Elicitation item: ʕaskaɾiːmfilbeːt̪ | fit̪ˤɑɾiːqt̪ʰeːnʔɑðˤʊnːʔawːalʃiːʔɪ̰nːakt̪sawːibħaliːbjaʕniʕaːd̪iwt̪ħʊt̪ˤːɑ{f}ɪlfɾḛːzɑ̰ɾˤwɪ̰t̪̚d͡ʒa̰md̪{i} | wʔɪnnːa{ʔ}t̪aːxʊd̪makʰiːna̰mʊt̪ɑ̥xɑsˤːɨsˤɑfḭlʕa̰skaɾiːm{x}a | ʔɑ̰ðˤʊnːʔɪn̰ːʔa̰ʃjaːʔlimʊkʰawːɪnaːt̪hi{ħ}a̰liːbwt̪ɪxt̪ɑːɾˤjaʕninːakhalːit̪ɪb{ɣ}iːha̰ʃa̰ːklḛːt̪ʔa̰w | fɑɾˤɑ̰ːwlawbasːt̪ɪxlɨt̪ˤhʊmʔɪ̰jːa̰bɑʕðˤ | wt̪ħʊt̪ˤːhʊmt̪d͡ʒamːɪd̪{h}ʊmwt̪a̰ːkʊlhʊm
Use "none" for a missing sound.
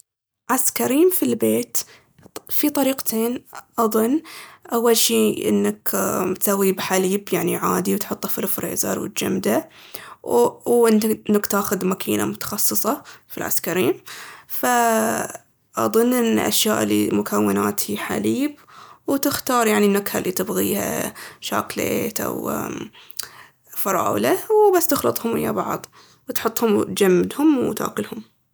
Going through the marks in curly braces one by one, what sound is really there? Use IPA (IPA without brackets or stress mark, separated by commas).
f, a, k, f, ħ, ɣ, h